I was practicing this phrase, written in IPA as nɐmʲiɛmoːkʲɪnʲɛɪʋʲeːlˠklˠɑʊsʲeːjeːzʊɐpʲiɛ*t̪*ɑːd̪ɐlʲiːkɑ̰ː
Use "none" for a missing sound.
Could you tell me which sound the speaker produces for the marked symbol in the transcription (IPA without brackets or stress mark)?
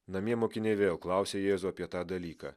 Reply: t̪